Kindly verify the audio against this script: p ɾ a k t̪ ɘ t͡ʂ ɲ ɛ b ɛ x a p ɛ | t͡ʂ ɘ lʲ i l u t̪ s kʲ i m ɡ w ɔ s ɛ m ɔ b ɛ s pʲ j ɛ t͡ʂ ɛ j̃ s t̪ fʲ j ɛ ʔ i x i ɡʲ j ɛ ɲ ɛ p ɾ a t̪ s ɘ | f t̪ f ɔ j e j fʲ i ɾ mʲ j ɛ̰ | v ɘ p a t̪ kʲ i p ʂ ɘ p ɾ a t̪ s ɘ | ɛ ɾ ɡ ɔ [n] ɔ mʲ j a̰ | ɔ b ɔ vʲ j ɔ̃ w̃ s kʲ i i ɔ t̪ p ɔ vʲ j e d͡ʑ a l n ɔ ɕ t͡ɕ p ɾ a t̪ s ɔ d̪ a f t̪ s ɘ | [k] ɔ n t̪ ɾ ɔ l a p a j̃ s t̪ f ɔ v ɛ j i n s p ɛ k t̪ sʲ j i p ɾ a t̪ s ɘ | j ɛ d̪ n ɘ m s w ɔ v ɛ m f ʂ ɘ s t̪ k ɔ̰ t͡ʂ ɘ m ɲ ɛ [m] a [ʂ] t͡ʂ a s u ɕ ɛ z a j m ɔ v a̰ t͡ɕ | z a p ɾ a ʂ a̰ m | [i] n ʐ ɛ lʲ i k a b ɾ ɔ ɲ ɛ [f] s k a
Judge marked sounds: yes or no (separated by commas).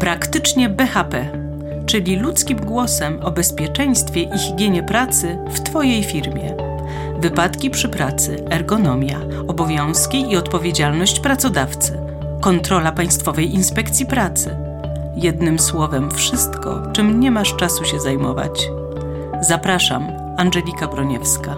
yes, yes, yes, yes, no, yes